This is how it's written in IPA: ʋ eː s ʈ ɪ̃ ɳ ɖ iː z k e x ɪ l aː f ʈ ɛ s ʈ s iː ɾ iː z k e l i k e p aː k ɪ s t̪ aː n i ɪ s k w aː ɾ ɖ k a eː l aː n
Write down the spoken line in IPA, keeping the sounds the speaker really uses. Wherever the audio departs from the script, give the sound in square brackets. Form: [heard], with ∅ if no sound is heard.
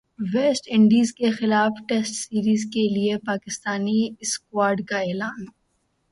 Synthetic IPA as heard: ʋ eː s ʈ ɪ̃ ɳ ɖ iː z k e x ɪ l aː f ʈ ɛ s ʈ s iː ɾ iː z k e l i [∅] e p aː k ɪ s t̪ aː n i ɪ s k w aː ɾ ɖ k a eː l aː n

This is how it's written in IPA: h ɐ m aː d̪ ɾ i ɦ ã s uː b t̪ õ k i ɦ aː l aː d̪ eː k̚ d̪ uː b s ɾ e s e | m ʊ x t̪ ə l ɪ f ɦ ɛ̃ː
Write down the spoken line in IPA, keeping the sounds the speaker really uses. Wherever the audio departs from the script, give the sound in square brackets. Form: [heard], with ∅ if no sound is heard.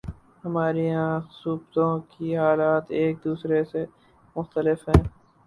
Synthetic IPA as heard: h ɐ m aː [∅] ɾ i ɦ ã s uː b t̪ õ k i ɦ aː l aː [t̪] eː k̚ d̪ uː [∅] s ɾ e s e | m ʊ x t̪ ə l ɪ f ɦ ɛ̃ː

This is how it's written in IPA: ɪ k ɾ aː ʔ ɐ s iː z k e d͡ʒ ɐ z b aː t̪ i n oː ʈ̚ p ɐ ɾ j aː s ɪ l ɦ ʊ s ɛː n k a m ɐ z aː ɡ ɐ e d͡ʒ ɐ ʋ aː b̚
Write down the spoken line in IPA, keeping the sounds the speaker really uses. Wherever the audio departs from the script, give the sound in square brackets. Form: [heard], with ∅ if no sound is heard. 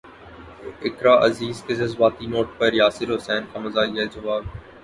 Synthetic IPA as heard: ɪ k ɾ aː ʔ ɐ [z] iː z k e d͡ʒ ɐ z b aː t̪ i n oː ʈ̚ p ɐ ɾ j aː s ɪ [ɾ] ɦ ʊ s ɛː n k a m ɐ z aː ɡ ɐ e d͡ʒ ɐ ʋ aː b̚

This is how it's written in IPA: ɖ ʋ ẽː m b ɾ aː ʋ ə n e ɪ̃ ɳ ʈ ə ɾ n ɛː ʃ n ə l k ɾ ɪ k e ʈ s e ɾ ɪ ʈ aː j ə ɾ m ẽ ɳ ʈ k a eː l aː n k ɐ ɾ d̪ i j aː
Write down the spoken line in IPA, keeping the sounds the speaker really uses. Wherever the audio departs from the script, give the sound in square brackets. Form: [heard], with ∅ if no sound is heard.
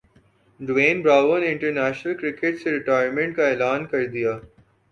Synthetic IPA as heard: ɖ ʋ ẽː [n] b ɾ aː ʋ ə n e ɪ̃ ɳ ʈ ə ɾ n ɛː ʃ n ə l k ɾ ɪ k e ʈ s e ɾ ɪ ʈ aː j ə ɾ m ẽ ɳ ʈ k a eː l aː n k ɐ ɾ d̪ i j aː

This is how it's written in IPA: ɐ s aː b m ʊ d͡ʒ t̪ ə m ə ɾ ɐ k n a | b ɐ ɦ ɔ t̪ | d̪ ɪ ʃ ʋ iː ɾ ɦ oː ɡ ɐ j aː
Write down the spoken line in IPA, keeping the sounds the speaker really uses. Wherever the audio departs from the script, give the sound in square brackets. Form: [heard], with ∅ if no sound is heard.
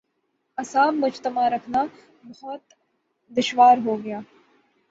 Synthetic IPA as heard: ɐ s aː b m ʊ d͡ʒ t̪ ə m [a] ɾ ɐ [kʰ] n a | b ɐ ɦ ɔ t̪ | d̪ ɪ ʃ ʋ [aː] ɾ ɦ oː ɡ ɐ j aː

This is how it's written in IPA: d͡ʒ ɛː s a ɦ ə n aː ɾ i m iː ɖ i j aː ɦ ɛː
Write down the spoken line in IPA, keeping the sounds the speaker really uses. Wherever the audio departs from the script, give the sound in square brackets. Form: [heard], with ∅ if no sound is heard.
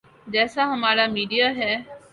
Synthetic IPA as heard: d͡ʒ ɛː s a ɦ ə [m] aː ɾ [a] m iː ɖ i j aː ɦ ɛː

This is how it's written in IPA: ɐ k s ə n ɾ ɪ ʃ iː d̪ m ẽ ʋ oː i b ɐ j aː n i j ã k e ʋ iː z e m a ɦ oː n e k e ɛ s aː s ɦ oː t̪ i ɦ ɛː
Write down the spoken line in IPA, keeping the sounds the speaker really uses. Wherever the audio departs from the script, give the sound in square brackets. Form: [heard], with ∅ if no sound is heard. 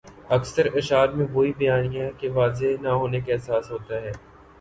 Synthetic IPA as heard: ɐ k s ə [∅] ɾ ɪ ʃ [aː] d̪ m ẽ ʋ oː i b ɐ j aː n i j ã k e ʋ [aː] z e [n] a ɦ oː n e k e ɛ s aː s ɦ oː t̪ [a] ɦ ɛː

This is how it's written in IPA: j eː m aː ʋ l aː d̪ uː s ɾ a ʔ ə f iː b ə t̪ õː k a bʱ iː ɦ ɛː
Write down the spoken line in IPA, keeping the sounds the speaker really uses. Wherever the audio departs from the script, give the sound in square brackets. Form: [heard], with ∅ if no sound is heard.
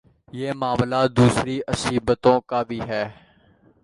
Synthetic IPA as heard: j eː m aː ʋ l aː d̪ uː s ɾ [i] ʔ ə [s] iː b ə t̪ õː k a bʱ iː ɦ ɛː

